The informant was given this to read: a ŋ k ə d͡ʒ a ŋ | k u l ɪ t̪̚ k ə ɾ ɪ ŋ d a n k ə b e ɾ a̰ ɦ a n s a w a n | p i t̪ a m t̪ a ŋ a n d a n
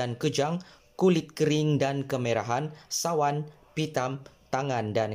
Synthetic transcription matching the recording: a n k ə d͡ʒ a ŋ | k u l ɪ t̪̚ k ə ɾ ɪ ŋ d a n k ə m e ɾ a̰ ɦ a n s a w a n | p i t̪ a m t̪ a ŋ a n d a n